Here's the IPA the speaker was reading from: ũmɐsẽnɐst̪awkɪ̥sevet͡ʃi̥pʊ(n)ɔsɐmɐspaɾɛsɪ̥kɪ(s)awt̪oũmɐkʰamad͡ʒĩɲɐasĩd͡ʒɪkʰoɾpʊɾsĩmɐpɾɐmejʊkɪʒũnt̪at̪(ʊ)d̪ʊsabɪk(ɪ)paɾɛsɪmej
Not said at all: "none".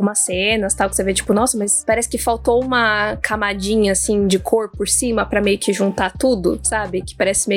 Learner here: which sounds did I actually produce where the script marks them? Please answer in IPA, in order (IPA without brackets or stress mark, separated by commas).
n, f, u, ɪ